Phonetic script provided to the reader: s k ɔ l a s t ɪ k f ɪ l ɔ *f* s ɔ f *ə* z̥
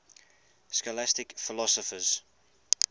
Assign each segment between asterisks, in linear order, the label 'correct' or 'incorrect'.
incorrect: none, correct

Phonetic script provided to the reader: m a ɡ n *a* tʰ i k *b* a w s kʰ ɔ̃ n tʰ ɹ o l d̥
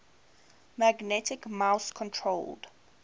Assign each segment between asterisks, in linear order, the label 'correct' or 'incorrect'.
incorrect: ɛ, incorrect: m

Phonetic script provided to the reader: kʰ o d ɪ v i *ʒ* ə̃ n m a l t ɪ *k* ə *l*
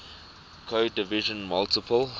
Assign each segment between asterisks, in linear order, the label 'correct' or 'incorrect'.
correct, incorrect: p, correct

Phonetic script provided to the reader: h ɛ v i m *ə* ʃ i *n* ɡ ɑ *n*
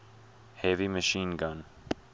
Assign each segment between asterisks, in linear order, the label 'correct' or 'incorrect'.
correct, correct, correct

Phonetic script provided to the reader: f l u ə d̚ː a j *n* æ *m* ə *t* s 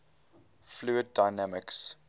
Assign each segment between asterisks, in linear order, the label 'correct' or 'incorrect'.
correct, correct, incorrect: k

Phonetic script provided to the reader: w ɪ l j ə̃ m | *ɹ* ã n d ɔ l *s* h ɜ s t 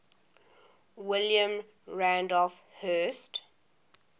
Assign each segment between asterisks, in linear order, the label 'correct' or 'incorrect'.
correct, incorrect: f

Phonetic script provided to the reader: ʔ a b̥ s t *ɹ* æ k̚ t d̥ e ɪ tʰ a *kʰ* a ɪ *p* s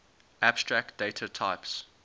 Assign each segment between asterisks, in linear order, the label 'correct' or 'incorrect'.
correct, incorrect: tʰ, correct

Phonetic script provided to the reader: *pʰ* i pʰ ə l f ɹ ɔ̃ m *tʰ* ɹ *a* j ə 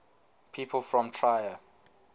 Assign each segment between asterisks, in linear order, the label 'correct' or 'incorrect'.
correct, correct, correct

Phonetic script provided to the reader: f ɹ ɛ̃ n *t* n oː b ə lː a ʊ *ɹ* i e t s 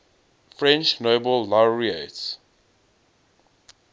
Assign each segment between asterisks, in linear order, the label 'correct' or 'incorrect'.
incorrect: t͡ʃ, correct

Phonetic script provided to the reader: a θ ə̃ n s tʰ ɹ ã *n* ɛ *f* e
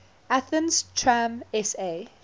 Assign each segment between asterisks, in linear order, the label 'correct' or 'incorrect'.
incorrect: m, incorrect: s

